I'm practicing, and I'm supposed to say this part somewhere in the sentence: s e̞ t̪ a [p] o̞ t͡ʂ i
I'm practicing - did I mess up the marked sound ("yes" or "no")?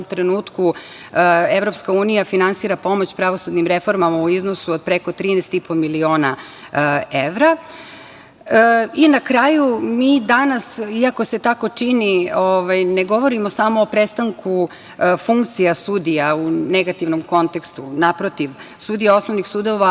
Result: yes